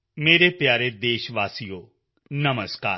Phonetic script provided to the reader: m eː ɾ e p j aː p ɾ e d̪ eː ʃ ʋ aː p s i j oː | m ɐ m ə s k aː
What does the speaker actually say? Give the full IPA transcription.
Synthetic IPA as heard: m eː ɾ e p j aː ɾ e d̪ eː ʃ ʋ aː s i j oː | n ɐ m ə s k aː